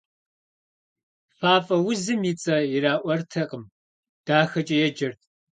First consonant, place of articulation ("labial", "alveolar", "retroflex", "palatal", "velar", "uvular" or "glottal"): labial